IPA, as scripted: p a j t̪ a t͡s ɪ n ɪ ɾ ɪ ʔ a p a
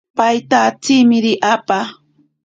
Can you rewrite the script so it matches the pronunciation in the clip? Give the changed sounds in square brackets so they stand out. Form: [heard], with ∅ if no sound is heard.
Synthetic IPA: p a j t̪ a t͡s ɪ [m] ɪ ɾ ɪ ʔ a p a

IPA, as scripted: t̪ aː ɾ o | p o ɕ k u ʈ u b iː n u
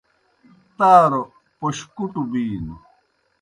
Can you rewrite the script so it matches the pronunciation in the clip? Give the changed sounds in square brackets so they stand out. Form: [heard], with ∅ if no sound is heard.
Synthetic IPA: t̪ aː ɾ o | p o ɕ k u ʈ u b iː n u

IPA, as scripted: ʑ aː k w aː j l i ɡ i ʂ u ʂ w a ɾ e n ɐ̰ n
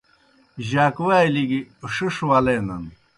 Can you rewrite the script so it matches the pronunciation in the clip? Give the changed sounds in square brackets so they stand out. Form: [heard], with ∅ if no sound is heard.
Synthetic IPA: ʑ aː k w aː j l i ɡ i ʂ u ʂ w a [l] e n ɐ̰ n

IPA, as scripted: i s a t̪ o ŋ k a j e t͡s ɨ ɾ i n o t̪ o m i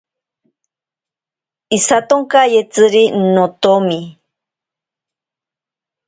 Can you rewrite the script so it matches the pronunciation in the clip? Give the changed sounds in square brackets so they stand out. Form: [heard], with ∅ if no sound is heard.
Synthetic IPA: i s a t̪ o ŋ k a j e t͡s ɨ ɾ i n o t̪ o m i

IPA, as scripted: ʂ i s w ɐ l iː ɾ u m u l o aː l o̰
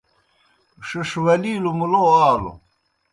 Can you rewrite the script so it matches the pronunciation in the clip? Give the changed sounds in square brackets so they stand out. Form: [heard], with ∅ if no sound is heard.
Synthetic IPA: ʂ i [ʂ] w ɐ l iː [l] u m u l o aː l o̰

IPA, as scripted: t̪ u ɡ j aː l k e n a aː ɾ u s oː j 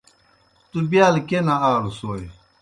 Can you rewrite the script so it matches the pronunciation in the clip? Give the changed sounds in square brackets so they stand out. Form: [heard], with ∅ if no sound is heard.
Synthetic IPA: t̪ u [b] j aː l k e n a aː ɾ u s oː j

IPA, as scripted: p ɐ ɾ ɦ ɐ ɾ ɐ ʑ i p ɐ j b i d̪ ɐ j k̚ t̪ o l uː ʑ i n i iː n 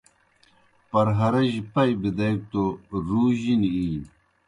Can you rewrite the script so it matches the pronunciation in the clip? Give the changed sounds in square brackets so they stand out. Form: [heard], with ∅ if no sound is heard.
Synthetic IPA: p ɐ ɾ ɦ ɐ ɾ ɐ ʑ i p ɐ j b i d̪ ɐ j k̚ t̪ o [ɾ] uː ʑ i n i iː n

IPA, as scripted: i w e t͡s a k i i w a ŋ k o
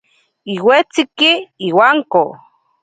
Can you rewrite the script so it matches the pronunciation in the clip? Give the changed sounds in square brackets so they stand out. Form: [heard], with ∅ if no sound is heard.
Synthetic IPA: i w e t͡s [i] k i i w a ŋ k o

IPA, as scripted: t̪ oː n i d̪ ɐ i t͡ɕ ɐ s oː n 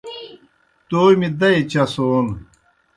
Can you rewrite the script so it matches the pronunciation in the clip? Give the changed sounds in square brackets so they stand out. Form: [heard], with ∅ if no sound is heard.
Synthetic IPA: t̪ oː [m] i d̪ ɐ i t͡ɕ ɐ s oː n

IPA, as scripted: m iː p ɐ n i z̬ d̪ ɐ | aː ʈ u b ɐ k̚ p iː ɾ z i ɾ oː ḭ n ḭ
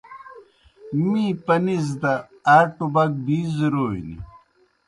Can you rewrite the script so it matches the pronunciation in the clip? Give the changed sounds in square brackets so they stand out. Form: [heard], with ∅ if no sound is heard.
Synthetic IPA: m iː p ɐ n i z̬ d̪ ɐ | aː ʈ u b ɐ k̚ [b] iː [∅] z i ɾ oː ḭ n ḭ

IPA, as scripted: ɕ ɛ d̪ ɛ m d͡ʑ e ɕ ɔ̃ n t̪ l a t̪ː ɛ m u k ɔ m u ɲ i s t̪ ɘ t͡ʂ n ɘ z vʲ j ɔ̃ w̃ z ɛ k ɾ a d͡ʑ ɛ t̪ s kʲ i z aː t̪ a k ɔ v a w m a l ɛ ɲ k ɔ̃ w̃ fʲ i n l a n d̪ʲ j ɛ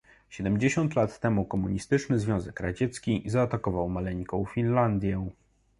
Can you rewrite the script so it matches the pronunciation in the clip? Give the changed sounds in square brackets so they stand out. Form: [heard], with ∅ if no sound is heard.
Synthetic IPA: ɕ ɛ d̪ ɛ m d͡ʑ e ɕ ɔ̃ n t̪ l a t̪ː ɛ m u k ɔ m u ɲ i s t̪ ɘ t͡ʂ n ɘ z vʲ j ɔ̃ w̃ z ɛ k ɾ a d͡ʑ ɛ t̪ s kʲ i z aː t̪ a k ɔ v a w m a l ɛ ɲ k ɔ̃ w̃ fʲ i n l a n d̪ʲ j ɛ

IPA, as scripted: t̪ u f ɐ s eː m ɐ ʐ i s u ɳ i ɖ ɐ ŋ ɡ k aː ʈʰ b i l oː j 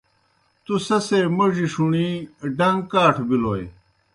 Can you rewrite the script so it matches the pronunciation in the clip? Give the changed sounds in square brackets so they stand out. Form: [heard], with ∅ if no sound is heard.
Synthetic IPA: t̪ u [s] ɐ s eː m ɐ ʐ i [ʂ] u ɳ i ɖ ɐ ŋ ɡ k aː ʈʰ b i l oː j

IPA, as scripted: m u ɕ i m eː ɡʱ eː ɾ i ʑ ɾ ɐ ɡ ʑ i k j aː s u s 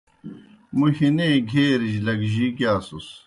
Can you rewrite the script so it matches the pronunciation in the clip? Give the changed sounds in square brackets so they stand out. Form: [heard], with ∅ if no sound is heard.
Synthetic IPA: m u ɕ i [n] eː ɡʱ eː ɾ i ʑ [l] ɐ ɡ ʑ i k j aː s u s

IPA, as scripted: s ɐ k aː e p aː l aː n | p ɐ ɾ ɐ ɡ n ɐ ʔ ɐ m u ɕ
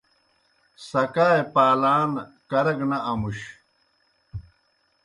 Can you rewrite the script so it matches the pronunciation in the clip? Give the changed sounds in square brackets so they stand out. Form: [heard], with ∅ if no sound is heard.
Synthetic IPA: s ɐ k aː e p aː l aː n | [k] ɐ ɾ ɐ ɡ n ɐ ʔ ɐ m u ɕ

